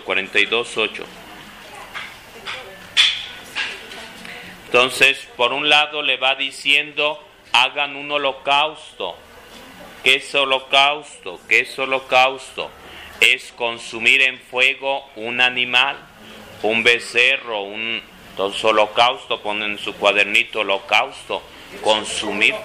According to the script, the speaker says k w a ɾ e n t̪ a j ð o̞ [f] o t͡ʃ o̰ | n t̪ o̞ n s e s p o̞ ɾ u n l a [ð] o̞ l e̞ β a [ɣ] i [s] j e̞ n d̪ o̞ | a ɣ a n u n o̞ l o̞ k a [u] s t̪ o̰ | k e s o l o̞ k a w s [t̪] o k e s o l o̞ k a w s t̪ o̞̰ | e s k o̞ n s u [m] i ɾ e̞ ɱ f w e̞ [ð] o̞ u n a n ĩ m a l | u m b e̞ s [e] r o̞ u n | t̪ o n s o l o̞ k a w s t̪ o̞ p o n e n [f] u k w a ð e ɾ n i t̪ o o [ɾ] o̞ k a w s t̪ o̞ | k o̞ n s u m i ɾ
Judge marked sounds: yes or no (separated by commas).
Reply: no, yes, no, yes, no, yes, yes, no, yes, no, no